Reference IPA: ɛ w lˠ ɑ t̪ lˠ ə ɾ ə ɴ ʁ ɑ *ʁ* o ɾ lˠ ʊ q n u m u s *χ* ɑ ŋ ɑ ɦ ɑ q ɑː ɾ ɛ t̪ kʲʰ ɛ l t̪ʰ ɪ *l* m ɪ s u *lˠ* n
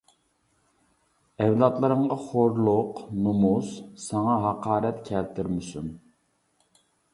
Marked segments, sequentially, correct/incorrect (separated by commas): incorrect, incorrect, incorrect, incorrect